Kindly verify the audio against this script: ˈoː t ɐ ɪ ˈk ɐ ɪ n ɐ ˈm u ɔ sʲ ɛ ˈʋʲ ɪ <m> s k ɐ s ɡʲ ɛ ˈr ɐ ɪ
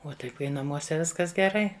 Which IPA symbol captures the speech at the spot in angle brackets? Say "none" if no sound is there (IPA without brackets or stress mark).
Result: none